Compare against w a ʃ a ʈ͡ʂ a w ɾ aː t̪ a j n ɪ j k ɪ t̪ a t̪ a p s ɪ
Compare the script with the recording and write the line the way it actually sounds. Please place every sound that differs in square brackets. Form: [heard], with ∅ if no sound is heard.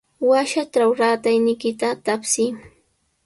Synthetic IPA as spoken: w a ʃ a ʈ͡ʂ a w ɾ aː t̪ a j n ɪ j k ɪ t̪ a t̪ a p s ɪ